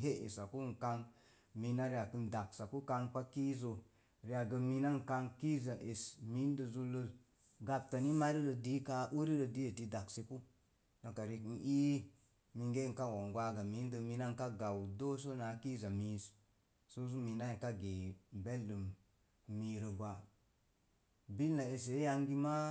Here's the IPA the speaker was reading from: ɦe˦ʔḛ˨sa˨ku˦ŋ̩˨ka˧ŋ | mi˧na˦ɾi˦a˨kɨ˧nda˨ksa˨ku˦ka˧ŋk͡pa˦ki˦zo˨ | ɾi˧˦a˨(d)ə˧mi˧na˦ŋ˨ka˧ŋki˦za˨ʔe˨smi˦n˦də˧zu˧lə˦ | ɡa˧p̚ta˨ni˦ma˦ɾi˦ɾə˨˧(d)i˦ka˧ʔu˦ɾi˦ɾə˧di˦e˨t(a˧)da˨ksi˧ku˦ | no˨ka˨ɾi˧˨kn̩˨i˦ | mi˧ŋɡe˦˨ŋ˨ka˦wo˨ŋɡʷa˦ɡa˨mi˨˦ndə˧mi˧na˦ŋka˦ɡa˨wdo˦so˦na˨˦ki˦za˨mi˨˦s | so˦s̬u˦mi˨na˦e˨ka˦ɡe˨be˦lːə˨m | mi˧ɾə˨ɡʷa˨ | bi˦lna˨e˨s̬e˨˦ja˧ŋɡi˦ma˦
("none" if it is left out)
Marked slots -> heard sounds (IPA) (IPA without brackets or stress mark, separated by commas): ɡ, d, i˧